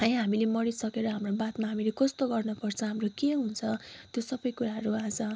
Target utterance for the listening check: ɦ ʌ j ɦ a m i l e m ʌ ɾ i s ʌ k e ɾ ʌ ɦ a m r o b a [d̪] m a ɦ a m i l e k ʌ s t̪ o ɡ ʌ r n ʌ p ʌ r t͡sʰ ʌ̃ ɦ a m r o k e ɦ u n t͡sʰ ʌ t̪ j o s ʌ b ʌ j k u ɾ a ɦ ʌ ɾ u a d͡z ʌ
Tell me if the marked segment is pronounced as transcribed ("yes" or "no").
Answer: no